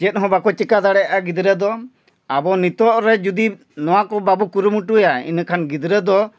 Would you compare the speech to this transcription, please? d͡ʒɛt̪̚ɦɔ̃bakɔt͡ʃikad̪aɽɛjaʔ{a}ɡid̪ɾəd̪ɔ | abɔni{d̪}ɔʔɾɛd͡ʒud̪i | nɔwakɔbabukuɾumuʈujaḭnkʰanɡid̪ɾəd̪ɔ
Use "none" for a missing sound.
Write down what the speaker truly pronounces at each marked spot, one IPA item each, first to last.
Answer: a, t̪

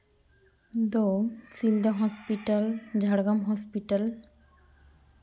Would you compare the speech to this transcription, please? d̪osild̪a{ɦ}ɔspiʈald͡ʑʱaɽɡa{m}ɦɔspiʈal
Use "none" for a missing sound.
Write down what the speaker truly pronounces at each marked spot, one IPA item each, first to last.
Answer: ɦ, m

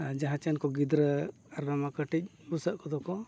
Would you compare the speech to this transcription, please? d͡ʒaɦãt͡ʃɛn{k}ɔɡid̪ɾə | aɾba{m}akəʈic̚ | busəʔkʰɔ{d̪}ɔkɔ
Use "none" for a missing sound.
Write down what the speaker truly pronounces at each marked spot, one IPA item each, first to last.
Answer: k, m, d̪

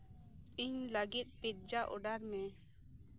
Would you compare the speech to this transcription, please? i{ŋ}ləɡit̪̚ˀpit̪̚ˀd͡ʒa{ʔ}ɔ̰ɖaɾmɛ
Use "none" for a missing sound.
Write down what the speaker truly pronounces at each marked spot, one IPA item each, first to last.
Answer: ɲ, ʔ

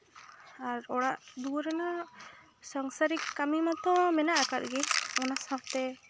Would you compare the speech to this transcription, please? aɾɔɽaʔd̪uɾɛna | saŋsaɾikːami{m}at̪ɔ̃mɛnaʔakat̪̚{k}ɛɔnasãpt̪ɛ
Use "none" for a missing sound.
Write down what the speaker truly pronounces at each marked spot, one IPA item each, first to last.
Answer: m, ɡ

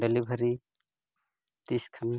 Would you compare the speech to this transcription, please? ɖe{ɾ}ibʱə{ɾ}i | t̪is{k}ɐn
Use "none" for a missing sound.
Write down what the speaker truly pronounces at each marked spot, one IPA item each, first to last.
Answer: l, ɾ, kʰ

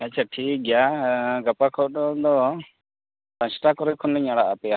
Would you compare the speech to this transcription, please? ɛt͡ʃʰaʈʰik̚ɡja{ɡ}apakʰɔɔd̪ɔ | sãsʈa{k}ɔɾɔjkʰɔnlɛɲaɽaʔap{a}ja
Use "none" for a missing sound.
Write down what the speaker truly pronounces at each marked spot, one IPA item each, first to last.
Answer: ɡ, k, ɛ

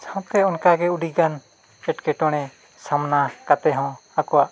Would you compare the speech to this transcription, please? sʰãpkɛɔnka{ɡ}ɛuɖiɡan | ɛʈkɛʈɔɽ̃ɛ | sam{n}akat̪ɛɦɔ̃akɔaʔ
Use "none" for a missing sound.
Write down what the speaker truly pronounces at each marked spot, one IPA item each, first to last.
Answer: ɡ, n

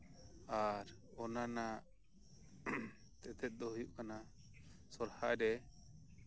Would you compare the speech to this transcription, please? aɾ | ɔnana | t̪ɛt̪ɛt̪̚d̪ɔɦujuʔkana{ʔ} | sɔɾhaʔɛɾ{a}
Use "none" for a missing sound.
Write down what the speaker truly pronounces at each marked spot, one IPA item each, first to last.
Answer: none, ɛ

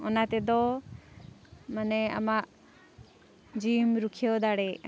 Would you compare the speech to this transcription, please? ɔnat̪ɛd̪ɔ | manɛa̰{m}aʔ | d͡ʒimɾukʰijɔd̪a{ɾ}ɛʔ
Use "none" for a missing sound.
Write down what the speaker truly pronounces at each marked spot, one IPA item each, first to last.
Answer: m, ɽ

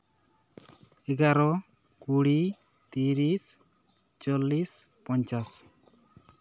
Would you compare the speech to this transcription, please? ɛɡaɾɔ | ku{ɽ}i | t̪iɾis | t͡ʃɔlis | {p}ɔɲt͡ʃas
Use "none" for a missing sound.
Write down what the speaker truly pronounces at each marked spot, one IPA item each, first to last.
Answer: ɽ, p

